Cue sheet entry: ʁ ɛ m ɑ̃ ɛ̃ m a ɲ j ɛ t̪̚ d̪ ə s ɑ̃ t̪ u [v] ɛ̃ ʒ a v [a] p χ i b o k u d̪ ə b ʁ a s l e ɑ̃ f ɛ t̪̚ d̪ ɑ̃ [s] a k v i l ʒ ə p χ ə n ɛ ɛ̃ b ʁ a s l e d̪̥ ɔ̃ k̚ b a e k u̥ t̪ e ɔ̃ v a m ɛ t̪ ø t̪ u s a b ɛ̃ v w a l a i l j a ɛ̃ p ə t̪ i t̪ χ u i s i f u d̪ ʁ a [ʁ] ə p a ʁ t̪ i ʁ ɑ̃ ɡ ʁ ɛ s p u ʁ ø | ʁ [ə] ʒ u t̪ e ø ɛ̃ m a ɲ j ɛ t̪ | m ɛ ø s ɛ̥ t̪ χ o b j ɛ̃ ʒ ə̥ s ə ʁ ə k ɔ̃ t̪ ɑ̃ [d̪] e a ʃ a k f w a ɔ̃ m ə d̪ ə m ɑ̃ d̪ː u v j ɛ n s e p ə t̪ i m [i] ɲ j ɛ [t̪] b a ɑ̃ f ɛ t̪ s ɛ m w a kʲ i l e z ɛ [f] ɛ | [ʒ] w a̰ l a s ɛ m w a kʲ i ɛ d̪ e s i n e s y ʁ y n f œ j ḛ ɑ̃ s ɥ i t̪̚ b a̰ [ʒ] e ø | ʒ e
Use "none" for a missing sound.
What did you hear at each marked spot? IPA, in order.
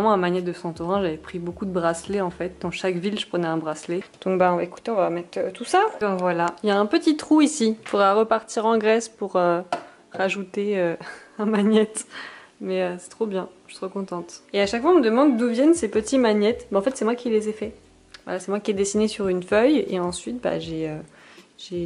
ʁ, ɛ, ʃ, ʁ, a, t̪, a, t̪, f, v, ʒ

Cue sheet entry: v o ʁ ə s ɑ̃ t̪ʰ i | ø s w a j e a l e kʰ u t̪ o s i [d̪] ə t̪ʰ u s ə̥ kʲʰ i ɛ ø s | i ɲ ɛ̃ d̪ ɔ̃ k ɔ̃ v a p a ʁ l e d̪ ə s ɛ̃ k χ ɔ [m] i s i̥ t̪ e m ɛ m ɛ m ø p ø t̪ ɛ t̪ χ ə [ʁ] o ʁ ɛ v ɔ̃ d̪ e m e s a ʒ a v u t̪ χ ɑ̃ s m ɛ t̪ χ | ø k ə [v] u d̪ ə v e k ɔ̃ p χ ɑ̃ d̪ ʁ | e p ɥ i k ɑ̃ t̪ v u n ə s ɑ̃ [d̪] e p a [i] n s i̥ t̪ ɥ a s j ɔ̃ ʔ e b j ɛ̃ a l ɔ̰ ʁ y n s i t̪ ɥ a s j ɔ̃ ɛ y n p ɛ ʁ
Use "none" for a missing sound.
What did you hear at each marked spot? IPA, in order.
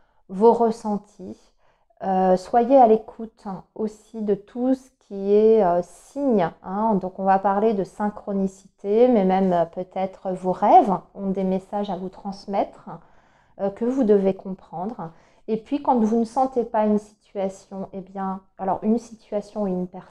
d̪, n, v, v, t̪, y

